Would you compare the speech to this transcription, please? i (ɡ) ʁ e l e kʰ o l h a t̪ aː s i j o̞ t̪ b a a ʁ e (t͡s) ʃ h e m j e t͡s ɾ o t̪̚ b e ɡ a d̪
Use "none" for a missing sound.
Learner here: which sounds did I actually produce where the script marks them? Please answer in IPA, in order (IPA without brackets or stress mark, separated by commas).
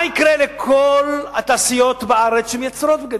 k, t͡s